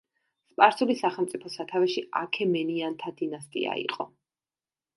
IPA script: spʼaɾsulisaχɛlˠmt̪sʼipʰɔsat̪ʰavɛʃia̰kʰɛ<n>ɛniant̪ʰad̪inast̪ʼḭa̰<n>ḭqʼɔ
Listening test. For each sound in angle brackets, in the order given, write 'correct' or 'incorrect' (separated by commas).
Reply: incorrect, incorrect